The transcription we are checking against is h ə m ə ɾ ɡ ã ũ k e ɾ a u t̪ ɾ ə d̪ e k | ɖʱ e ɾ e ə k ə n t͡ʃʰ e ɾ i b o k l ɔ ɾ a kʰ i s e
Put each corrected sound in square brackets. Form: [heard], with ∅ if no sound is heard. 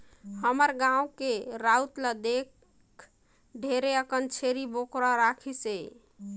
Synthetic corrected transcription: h ə m ə ɾ ɡ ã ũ k e ɾ a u t̪ [l] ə d̪ e k | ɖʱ e ɾ e ə k ə n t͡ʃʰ e ɾ i b o k [ɾ] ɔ ɾ a kʰ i s e